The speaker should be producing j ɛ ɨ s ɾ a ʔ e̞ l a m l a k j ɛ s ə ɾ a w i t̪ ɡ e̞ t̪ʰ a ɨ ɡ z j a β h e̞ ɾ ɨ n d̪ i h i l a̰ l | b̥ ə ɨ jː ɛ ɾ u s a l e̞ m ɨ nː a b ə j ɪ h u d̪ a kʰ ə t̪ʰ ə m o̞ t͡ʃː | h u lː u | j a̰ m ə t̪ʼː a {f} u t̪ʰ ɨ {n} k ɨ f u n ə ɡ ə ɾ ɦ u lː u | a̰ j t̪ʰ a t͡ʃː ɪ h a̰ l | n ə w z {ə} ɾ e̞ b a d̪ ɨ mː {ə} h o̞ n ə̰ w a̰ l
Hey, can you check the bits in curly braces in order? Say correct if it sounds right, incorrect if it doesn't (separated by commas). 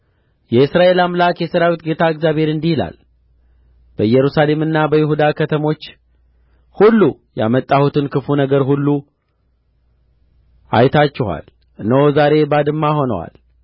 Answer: incorrect, correct, incorrect, incorrect